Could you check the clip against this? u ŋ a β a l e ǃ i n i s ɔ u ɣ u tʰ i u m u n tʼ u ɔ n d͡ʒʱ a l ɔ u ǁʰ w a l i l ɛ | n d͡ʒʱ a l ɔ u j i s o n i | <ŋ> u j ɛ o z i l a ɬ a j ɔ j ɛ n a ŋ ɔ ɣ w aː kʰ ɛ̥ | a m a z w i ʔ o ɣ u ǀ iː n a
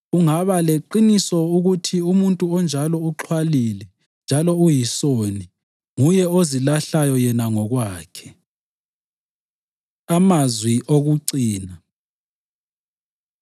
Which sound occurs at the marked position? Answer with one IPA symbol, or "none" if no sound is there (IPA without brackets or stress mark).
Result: ŋ